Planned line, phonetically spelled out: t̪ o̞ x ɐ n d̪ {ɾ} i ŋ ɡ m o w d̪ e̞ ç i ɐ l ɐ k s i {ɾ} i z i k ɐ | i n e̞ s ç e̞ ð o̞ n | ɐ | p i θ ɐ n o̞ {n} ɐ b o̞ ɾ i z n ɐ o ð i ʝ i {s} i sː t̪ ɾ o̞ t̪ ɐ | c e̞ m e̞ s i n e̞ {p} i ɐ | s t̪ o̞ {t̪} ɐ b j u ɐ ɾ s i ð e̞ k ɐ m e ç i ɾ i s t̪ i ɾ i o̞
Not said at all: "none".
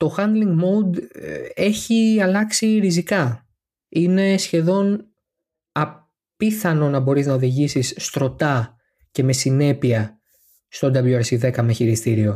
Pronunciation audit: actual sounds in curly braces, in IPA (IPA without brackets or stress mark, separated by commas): l, ɾ, n, s, p, d̪